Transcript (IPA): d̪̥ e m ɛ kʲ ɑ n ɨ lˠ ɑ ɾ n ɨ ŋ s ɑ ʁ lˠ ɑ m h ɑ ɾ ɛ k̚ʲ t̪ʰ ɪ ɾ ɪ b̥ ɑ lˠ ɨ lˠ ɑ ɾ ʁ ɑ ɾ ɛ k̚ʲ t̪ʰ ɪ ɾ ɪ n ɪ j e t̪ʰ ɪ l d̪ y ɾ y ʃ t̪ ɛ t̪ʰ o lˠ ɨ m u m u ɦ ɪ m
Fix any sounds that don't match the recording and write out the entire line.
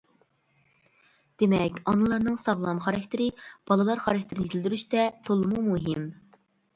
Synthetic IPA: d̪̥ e m ɛ kʲ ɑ n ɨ lˠ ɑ ɾ n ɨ ŋ s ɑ ʁ lˠ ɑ m χ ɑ ɾ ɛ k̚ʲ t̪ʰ ɪ ɾ ɪ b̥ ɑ lˠ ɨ lˠ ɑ ɾ χ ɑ ɾ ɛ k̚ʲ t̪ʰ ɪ ɾ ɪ n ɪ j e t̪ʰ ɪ l d̪ y ɾ y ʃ t̪ ɛ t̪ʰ o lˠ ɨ m u m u ɦ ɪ m